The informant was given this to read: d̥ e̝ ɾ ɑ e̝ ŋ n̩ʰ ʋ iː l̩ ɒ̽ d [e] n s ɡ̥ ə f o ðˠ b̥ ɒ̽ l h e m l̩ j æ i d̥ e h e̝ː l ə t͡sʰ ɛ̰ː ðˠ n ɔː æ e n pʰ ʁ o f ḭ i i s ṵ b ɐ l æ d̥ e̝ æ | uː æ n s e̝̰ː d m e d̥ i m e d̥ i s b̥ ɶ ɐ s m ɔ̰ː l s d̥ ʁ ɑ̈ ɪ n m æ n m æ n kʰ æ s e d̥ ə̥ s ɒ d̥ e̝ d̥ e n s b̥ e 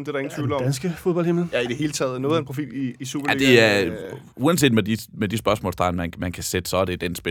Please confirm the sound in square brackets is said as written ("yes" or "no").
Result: no